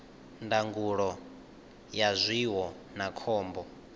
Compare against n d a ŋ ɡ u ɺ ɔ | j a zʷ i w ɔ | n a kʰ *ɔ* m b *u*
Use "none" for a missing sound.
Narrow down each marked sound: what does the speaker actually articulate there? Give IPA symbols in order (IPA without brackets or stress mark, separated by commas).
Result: ɔː, ɔ